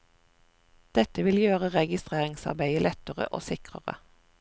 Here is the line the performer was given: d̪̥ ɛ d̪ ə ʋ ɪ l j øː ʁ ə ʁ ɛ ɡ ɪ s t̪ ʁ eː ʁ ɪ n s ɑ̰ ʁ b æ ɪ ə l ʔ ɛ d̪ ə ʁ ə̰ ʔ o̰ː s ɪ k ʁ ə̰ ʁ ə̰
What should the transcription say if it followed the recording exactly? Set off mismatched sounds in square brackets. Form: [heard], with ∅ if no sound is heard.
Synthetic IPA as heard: d̪̥ ɛ [t̪] ə ʋ ɪ l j øː ʁ ə ʁ ɛ ɡ ɪ s t̪ ʁ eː ʁ ɪ [ŋ] s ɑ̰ ʁ b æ ɪ ə l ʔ ɛ [t̪] ə ʁ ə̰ ʔ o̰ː s ɪ k ʁ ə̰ ʁ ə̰